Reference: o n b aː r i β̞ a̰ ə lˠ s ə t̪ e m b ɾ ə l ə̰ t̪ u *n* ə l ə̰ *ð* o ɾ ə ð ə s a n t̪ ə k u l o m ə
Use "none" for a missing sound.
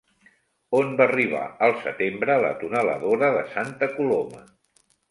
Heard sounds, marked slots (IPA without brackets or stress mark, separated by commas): n, ð